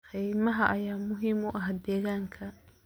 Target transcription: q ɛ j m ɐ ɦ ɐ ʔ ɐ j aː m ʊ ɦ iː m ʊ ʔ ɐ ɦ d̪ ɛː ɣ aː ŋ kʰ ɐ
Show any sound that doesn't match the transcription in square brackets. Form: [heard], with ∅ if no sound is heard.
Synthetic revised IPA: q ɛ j m ɐ ɦ ɐ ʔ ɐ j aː m ʊ ɦ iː m ʊ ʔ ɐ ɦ d̪ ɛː ɣ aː ŋ kʰ ɐ